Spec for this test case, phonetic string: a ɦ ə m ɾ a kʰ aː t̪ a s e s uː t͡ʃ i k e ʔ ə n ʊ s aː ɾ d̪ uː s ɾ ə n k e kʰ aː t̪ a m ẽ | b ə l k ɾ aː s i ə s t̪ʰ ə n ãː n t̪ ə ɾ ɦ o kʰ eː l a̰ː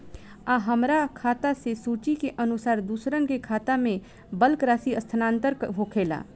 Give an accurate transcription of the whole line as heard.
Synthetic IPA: a ɦ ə m ɾ a kʰ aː t̪ a s e s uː t͡ʃ i k e ʔ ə n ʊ s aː ɾ d̪ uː s ɾ ə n k e kʰ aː t̪ a m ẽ | b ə l k ɾ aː s i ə s t̪ʰ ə n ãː n t̪ ə ɾ ɦ o kʰ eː l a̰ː